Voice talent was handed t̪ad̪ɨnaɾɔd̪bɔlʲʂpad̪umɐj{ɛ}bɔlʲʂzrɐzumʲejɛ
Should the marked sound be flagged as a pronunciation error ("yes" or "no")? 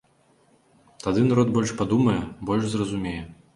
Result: no